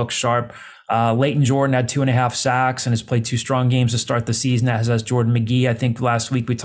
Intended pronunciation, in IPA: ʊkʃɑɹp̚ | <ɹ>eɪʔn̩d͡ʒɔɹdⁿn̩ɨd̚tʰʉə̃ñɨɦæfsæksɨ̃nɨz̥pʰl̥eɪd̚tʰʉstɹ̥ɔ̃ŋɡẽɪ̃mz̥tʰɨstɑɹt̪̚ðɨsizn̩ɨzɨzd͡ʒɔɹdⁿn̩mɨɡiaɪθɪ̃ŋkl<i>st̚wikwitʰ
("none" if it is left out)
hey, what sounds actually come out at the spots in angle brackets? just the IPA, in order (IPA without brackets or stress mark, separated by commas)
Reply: l, æ